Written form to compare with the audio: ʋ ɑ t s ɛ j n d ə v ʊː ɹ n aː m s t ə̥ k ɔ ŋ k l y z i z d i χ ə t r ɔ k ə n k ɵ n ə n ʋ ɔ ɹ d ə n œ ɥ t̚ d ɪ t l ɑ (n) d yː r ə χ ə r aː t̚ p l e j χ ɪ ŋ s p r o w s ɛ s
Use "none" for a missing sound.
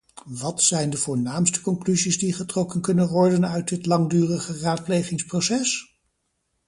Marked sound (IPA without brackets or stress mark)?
ŋ